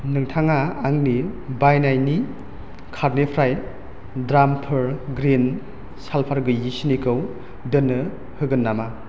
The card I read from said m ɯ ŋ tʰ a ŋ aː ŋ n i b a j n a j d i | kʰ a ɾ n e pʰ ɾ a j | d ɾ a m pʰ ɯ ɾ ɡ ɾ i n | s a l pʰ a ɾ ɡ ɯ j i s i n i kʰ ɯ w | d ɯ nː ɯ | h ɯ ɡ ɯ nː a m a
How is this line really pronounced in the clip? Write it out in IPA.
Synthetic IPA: n ɯ ŋ tʰ a ŋ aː ŋ n i b a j n a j n i | kʰ a ɾ n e pʰ ɾ a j | d ɾ a m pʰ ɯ ɾ ɡ ɾ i n | s a l pʰ a ɾ ɡ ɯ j i s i n i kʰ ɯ w | d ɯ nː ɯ | h ɯ ɡ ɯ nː a m a